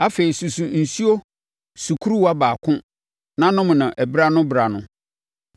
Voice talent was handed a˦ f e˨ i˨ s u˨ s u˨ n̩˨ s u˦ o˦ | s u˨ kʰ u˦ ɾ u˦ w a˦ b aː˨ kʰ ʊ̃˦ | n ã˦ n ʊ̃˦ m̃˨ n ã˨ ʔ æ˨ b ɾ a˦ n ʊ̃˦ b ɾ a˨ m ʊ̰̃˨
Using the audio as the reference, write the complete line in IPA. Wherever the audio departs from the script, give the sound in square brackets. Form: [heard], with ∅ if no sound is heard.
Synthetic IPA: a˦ f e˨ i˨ s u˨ s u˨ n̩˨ s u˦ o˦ | s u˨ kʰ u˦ ɾ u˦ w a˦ b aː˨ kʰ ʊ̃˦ | n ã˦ n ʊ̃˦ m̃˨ n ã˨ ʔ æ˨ b ɾ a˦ n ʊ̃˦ b ɾ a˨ [n] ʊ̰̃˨